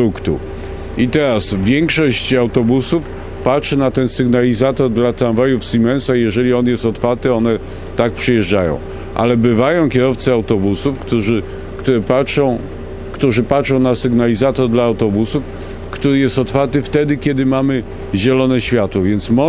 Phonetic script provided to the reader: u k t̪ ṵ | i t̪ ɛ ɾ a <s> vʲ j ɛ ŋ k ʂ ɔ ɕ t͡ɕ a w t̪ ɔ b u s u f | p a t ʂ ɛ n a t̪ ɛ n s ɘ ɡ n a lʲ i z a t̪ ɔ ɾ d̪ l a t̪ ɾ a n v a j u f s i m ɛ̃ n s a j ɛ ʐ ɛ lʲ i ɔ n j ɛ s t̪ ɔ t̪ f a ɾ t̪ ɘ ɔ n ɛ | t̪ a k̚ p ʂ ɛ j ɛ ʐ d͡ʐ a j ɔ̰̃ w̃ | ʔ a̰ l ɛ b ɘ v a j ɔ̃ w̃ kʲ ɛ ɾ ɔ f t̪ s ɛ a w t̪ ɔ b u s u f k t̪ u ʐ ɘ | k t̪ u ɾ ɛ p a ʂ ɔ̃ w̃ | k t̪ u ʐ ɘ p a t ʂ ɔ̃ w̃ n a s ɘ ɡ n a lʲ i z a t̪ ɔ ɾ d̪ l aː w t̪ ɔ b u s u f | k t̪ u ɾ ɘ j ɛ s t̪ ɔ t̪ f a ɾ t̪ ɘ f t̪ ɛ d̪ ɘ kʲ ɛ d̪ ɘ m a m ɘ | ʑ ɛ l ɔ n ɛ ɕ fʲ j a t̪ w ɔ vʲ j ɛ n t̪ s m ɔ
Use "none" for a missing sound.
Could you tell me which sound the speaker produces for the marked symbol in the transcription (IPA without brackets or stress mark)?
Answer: s